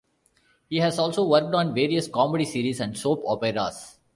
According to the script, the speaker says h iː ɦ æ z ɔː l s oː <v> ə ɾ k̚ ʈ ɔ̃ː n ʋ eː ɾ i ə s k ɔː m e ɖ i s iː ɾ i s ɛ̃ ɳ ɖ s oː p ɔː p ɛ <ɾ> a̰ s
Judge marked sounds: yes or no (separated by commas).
no, yes